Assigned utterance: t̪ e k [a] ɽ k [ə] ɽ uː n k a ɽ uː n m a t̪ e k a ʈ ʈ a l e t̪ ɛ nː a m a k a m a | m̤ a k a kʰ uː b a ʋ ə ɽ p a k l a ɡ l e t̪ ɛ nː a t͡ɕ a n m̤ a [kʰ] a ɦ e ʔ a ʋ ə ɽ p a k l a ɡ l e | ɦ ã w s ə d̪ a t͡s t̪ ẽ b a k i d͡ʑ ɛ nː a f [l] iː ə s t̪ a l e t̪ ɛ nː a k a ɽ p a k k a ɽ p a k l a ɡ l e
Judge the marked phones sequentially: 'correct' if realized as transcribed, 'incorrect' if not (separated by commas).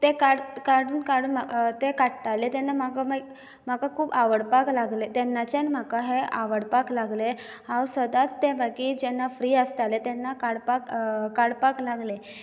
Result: correct, incorrect, incorrect, incorrect